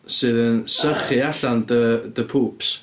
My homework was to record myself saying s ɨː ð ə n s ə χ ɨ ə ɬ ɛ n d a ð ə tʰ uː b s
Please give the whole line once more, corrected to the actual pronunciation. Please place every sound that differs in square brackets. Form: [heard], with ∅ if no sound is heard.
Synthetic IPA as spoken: s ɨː ð ə n s ə χ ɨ [a] ɬ [a] n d [ə] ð ə [pʰ] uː [p] s